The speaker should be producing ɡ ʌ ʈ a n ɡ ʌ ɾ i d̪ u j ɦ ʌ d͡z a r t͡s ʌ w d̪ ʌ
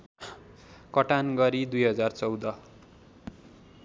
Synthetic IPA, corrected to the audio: k ʌ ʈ a n ɡ ʌ ɾ i d̪ u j ɦ ʌ d͡z a r t͡s ʌ w d̪ ʌ